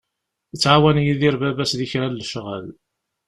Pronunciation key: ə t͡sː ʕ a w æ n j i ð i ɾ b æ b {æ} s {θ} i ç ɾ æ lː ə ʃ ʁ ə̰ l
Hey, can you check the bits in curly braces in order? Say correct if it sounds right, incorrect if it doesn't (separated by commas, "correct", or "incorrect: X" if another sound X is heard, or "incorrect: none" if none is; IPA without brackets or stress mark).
correct, incorrect: ð